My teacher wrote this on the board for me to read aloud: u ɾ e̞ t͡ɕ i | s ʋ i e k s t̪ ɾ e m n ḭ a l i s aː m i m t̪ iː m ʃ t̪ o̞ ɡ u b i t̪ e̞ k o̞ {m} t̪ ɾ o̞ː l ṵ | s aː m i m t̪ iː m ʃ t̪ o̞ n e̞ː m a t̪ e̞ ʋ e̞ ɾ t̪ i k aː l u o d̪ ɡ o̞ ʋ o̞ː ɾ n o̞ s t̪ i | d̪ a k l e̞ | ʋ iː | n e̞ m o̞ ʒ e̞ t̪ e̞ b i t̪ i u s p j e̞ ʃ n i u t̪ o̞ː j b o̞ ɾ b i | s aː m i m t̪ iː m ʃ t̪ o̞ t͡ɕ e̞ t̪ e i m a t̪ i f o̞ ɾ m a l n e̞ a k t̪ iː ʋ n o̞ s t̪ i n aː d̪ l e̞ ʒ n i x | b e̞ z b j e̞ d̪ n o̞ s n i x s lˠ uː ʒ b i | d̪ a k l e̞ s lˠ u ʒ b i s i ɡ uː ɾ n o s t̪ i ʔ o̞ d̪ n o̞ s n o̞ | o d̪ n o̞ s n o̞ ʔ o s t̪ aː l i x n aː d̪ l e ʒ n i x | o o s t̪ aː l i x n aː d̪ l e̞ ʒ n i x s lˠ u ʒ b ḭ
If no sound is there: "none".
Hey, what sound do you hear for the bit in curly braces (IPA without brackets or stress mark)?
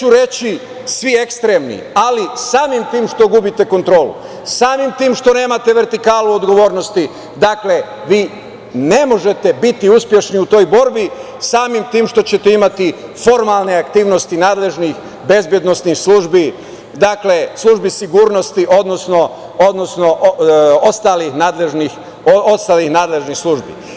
n